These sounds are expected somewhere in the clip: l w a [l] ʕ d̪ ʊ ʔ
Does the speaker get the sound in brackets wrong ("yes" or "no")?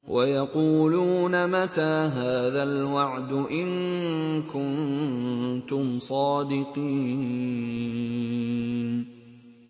yes